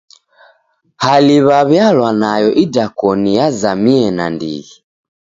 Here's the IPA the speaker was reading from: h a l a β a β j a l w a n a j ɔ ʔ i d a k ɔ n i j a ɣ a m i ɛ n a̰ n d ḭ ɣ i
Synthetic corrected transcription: h a l i β a β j a l w a n a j ɔ ʔ i d a k ɔ n i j a z a m i ɛ n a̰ n d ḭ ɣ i

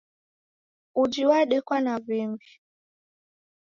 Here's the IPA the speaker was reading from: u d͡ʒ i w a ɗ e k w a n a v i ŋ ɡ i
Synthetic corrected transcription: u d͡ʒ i w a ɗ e k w a n a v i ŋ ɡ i

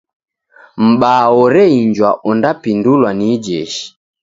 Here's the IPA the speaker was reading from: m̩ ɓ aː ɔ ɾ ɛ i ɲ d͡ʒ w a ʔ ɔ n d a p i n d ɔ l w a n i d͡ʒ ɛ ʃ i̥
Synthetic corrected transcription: m̩ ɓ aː ɔ ɾ ɛ i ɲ d͡ʒ w a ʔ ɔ n d a p i n d u l w a n i d͡ʒ ɛ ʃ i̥

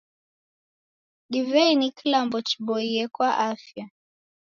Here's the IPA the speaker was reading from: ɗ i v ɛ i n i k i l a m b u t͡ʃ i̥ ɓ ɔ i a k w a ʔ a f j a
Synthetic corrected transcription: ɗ i v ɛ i n i k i l a m b ɔ t͡ʃ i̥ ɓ ɔ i ɛ k w a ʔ a f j a

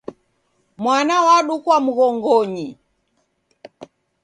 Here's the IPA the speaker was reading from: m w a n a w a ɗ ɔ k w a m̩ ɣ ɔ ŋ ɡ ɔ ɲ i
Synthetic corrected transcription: m w a n a w a ɗ u k w a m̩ ɣ ɔ ŋ ɡ ɔ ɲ i

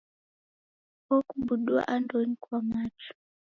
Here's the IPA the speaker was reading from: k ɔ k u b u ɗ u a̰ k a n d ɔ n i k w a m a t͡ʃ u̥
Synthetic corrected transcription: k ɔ k u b u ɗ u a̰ ʔ a n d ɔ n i k w a m a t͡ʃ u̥

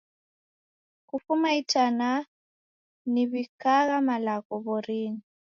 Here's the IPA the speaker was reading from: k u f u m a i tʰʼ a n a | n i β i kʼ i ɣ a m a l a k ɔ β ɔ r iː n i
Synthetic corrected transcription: k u f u m a i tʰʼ a n a | n i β i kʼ a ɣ a m a l a k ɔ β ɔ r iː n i

